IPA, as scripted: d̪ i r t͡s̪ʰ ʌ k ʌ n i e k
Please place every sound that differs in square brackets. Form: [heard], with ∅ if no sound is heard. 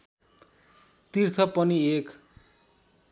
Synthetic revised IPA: [t̪] i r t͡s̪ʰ ʌ [p] ʌ n i e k